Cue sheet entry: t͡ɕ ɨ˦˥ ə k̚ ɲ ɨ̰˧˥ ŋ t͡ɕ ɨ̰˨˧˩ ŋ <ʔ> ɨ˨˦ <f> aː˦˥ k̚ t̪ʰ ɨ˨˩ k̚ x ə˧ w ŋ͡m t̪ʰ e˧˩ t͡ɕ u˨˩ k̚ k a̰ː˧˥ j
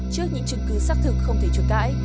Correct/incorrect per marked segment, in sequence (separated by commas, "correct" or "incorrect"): incorrect, incorrect